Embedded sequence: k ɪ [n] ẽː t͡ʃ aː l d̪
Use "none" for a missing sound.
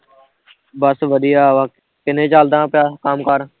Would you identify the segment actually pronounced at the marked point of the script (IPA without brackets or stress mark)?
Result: n